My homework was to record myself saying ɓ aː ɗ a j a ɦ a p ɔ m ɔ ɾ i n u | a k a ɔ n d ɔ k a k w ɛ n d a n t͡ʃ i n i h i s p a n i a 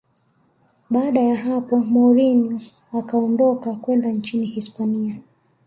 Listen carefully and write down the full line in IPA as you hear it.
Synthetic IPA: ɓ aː ɗ a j a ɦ a p ɔ m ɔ ɾ i n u | a k a ɔ n d ɔ k a k w ɛ n d a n t͡ʃ i n i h i s p a n i a